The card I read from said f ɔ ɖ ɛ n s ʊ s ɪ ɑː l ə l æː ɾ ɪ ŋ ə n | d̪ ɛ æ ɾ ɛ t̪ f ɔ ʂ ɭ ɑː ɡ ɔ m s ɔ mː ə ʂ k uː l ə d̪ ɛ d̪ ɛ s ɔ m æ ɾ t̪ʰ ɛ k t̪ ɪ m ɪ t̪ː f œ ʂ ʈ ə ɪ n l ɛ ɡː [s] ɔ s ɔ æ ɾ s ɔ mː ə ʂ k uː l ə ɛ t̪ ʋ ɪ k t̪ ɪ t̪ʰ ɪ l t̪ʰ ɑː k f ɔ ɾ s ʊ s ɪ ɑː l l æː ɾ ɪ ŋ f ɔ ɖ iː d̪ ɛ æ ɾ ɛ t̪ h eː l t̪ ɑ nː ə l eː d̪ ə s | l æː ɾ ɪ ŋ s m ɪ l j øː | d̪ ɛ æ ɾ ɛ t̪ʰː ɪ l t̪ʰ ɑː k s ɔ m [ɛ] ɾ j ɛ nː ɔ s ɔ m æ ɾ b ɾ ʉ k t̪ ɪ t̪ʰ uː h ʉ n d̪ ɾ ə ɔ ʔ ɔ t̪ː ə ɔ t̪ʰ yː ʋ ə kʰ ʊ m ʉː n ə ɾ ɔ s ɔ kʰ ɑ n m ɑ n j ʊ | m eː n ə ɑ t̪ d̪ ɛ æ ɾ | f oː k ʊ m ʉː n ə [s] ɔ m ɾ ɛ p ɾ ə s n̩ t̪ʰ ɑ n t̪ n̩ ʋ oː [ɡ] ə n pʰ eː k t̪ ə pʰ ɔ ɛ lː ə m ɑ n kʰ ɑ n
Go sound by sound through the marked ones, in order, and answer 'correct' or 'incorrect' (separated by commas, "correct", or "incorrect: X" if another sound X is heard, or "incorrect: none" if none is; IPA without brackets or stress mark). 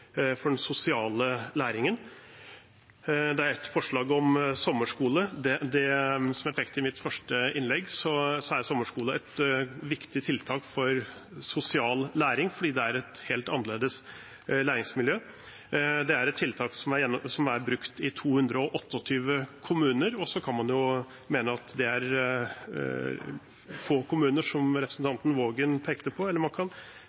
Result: correct, incorrect: æ, incorrect: ʂ, correct